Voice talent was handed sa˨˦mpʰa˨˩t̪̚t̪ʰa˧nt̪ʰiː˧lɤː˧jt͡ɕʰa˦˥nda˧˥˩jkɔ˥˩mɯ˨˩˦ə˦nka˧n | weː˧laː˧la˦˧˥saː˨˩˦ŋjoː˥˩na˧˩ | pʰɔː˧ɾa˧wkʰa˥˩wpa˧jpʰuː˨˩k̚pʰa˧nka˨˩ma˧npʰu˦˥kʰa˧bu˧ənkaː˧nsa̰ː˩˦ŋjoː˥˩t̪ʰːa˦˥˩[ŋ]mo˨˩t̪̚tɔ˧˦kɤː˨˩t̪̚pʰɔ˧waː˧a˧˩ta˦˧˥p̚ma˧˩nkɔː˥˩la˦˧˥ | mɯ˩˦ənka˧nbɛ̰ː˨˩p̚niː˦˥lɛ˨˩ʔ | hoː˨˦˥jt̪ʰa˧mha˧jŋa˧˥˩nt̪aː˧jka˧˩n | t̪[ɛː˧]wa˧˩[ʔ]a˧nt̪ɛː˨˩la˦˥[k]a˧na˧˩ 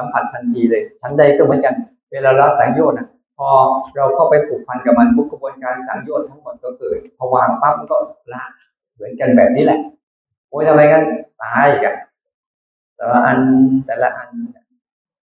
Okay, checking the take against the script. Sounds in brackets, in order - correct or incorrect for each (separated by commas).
correct, incorrect, correct, incorrect